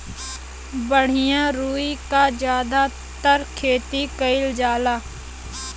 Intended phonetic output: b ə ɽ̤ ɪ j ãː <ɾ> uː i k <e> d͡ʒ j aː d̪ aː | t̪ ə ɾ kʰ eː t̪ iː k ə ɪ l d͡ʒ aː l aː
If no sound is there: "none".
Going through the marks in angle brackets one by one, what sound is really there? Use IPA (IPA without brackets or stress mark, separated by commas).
ɾ, a